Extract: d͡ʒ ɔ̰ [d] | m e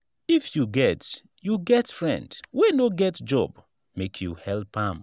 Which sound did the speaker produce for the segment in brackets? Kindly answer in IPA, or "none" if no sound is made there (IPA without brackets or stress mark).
b